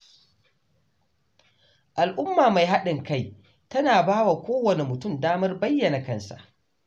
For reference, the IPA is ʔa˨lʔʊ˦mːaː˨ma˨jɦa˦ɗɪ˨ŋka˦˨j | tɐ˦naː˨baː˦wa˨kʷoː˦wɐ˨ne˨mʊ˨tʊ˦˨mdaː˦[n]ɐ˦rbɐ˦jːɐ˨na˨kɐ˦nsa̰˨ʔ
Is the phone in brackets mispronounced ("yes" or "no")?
yes